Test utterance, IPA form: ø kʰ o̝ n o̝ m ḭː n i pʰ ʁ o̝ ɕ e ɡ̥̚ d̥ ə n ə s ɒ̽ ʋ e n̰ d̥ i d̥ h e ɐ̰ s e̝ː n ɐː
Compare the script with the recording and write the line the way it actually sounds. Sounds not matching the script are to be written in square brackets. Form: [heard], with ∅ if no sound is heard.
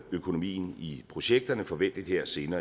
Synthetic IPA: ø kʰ o̝ n o̝ m ḭː n i pʰ ʁ o̝ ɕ e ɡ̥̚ d̥ [ɐ] n ə [f] ɒ̽ ʋ e n̰ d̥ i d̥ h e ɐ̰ s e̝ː n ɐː

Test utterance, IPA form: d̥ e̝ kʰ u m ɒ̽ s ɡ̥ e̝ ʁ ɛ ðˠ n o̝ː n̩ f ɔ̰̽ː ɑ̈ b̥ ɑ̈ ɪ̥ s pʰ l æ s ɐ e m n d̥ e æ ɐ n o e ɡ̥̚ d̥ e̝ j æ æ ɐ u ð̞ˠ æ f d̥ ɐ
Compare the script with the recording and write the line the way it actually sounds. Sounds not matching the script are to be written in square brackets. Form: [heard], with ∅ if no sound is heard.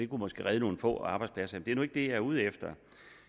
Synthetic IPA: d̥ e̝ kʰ u m ɒ̽ s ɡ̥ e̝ ʁ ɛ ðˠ n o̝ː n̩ f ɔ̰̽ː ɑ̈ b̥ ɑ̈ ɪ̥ s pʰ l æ s ɐ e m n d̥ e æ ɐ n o e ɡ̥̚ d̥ e̝ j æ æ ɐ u ð̞ˠ [e] f d̥ ɐ

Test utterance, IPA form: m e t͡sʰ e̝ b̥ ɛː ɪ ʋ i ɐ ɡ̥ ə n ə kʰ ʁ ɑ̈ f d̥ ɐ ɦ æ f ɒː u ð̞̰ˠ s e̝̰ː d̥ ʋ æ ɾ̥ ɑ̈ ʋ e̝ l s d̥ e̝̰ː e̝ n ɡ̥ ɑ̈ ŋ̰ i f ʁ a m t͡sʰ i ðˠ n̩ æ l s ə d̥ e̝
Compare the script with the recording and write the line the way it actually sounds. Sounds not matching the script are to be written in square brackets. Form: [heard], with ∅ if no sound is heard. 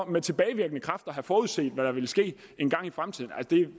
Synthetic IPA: m e t͡sʰ e̝ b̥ ɛː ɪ ʋ i ɐ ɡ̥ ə n ə kʰ ʁ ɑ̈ f d̥ ɐ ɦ æ f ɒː u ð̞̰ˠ s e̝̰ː d̥ ʋ æ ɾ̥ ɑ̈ ʋ e̝ l s [ɡ̥] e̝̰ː e̝ n ɡ̥ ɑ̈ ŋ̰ i f ʁ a m t͡sʰ i ðˠ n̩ æ l s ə d̥ e̝

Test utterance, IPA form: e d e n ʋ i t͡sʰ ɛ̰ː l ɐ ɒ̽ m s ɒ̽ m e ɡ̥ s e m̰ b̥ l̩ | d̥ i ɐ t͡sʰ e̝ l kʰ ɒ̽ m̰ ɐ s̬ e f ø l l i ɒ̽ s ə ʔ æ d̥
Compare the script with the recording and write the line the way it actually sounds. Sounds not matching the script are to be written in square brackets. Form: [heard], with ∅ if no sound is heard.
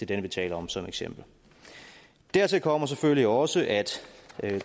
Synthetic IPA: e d e n ʋ i t͡sʰ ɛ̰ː l ɐ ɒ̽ m s ɒ̽ m e ɡ̥ s e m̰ b̥ l̩ | d̥ [æ] ɐ t͡sʰ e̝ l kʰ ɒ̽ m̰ ɐ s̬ e f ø l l i ɒ̽ s ə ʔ æ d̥

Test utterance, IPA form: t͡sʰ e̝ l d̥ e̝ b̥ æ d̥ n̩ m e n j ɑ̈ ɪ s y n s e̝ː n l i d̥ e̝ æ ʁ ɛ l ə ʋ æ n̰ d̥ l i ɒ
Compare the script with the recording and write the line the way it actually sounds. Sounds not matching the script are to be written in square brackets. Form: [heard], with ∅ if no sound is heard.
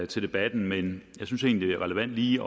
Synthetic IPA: t͡sʰ e̝ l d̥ e̝ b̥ æ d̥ n̩ m e n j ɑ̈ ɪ s y n s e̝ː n l i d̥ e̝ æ ʁ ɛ l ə ʋ æ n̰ d̥ l [iː] ɒ

